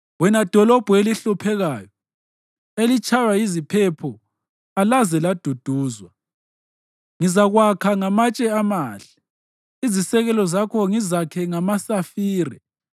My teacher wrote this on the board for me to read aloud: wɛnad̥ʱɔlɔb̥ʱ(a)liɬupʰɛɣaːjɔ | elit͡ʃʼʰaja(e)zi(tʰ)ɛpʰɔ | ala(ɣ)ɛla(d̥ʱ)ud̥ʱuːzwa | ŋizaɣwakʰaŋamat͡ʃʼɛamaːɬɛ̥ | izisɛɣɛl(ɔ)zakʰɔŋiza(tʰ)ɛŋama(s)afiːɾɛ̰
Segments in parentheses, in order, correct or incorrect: incorrect: e, incorrect: i, incorrect: pʰ, incorrect: z, correct, correct, incorrect: kʰ, correct

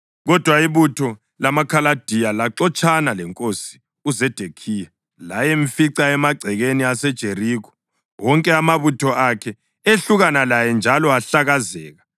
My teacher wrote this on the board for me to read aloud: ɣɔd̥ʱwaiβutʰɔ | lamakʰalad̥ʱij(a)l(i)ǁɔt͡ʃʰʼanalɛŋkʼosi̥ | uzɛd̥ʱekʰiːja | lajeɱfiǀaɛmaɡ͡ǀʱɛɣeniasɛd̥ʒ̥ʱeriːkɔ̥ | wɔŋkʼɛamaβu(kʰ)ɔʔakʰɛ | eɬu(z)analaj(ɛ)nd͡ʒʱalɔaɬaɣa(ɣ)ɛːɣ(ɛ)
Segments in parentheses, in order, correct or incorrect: correct, incorrect: a, incorrect: tʰ, incorrect: ɣ, correct, incorrect: z, incorrect: a

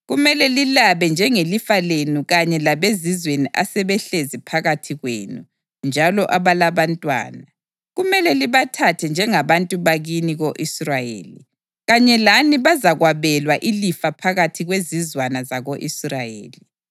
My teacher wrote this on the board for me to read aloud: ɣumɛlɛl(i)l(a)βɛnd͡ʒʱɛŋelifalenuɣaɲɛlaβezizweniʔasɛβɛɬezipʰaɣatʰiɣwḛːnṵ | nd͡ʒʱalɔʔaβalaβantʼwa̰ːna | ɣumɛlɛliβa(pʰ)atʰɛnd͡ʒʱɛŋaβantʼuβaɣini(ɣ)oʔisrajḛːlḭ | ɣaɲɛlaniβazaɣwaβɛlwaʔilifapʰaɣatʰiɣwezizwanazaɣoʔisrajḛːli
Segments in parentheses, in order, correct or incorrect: correct, correct, incorrect: tʰ, correct

